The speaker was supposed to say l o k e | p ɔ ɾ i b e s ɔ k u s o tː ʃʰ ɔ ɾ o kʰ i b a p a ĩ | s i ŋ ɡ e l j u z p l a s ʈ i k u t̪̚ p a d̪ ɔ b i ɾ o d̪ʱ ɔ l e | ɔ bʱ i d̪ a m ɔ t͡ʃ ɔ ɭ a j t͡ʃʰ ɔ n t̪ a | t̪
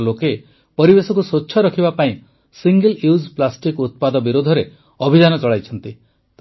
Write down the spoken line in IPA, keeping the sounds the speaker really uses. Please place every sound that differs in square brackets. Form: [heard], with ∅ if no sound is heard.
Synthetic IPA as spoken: l o k e | p ɔ ɾ i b e s ɔ k u s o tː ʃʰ ɔ ɾ [ɔ] kʰ i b a p a ĩ | s i ŋ ɡ e l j u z p l a s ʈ i k u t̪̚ p a d̪ ɔ b i ɾ o d̪ʱ ɔ [ɾ] e | ɔ bʱ i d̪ a [n] ɔ t͡ʃ ɔ ɭ a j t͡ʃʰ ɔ n t̪ [i] | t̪